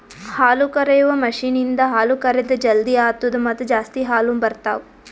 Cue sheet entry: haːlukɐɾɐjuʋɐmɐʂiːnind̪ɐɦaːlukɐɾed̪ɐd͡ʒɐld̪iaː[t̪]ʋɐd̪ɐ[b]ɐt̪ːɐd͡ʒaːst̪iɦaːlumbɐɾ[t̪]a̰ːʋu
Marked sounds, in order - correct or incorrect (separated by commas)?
correct, incorrect, correct